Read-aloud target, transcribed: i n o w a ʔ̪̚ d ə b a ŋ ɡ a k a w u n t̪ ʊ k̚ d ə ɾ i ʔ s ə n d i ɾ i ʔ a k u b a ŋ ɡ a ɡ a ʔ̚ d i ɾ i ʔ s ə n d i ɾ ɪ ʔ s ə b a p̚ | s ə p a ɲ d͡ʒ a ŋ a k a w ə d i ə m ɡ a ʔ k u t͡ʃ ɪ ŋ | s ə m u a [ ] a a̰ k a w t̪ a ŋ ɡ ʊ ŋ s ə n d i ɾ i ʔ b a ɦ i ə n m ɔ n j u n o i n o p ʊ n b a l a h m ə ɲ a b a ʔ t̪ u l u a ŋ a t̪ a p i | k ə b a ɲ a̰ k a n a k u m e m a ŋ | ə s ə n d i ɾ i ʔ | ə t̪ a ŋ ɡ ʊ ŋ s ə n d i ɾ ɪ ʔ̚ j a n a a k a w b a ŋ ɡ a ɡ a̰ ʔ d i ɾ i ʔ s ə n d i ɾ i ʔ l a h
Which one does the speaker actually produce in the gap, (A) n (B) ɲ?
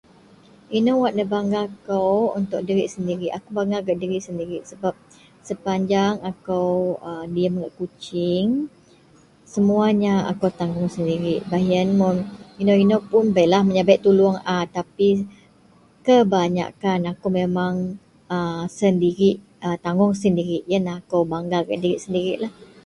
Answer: B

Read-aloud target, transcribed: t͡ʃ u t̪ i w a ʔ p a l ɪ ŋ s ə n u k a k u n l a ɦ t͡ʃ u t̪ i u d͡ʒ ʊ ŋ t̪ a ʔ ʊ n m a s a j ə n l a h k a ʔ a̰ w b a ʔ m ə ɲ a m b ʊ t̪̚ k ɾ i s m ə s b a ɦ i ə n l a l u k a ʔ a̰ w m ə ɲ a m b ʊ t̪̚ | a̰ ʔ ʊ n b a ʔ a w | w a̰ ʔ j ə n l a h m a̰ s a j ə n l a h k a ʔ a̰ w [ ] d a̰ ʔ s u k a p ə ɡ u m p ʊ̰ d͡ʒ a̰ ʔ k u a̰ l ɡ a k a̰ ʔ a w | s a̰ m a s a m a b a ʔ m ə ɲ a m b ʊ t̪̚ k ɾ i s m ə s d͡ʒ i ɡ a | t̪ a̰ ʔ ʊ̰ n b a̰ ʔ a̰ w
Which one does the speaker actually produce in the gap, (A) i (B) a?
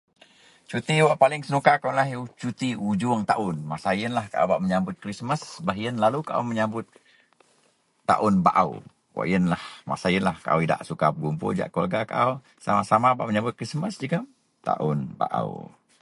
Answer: A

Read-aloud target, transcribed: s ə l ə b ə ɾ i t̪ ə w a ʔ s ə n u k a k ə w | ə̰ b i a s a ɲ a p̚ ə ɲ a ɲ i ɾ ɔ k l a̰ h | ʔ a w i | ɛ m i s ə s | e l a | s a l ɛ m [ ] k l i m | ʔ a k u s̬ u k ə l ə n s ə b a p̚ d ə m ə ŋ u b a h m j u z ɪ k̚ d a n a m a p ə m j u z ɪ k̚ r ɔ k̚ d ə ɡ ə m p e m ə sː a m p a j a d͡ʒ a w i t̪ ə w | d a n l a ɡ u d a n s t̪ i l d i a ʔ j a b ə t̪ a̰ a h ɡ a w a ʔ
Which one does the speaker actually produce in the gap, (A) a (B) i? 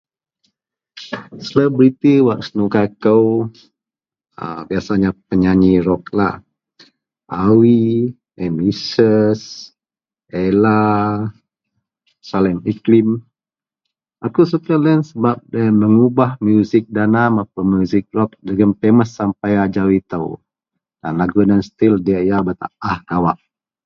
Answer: B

